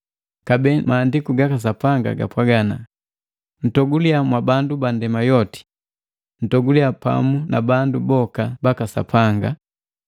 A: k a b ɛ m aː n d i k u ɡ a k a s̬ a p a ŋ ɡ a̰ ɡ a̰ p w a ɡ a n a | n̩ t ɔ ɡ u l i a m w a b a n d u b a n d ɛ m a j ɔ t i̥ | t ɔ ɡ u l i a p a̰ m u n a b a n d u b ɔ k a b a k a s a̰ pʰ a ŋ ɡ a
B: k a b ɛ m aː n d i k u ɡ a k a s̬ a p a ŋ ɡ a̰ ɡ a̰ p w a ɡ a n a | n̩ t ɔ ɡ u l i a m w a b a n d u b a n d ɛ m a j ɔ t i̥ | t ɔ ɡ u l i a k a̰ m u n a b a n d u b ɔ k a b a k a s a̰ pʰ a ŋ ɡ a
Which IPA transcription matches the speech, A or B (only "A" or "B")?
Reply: A